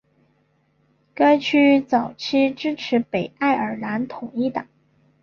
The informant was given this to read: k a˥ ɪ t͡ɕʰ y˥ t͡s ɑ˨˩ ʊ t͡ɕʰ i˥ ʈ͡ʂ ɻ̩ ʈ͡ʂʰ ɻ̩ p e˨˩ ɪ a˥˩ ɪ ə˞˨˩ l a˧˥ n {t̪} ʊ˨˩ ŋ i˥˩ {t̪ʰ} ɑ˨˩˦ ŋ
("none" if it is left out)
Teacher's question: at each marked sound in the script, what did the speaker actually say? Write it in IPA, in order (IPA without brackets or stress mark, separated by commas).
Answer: t̪ʰ, t̪